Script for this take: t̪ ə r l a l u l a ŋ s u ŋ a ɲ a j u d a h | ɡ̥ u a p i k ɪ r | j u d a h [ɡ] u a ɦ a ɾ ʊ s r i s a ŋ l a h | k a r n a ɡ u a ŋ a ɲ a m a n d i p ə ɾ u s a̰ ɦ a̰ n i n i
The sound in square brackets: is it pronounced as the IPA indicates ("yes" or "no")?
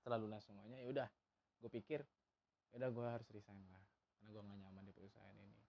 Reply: yes